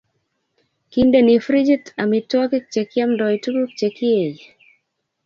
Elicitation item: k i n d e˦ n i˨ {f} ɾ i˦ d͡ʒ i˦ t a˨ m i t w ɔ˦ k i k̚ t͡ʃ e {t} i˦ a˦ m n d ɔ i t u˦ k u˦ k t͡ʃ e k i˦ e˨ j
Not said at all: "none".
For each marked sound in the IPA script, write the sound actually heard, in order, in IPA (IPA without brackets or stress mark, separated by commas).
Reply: f, k